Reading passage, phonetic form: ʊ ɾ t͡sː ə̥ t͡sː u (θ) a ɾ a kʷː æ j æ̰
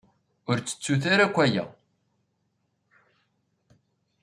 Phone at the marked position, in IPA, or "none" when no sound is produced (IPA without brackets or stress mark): θ